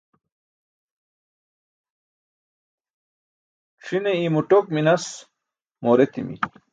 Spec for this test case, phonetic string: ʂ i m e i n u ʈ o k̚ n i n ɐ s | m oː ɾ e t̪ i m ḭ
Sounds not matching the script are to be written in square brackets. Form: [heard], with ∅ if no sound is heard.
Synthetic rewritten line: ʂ i [n] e i [m] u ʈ o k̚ [m] i n ɐ s | m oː ɾ e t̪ i m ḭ